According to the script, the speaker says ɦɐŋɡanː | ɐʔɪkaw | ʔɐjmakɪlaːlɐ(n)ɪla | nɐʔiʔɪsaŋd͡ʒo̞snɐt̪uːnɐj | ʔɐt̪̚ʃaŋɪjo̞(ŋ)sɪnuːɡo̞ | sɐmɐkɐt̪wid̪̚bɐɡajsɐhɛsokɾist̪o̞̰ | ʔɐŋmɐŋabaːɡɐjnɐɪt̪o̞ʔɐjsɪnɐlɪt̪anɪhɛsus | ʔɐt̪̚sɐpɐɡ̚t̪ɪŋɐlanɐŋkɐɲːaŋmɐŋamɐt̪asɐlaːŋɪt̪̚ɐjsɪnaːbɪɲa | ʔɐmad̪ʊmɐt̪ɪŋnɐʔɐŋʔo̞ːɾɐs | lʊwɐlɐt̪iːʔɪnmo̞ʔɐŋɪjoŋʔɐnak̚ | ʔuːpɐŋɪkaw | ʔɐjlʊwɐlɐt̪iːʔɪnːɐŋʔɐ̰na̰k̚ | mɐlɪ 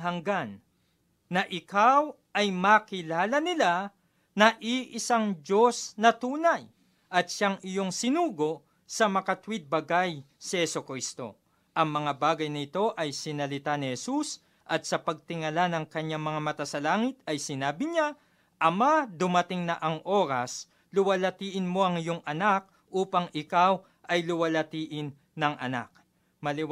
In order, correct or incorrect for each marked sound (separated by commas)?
correct, correct